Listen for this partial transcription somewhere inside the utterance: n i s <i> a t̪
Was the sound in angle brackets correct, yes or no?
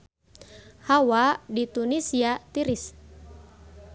yes